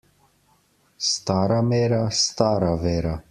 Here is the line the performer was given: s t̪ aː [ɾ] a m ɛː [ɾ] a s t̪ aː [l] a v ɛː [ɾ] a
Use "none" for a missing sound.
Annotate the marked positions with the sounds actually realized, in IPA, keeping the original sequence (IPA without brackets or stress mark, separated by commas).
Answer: ɾ, ɾ, ɾ, ɾ